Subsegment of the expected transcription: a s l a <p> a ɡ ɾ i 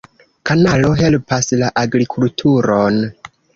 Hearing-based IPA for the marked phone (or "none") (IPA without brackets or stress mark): ʔ